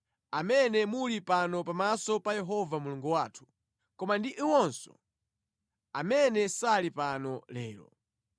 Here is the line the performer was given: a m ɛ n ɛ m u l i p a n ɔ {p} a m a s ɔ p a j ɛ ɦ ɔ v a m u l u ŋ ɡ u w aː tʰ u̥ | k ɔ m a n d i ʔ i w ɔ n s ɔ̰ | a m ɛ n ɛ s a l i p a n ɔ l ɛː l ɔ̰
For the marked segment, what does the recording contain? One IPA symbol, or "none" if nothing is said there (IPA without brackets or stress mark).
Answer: p